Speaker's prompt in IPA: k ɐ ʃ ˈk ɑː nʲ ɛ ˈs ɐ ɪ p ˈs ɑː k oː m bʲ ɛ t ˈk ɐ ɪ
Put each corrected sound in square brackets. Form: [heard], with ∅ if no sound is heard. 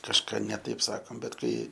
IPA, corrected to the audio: k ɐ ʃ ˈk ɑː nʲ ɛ [ˈt] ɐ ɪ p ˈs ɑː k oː m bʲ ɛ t ˈk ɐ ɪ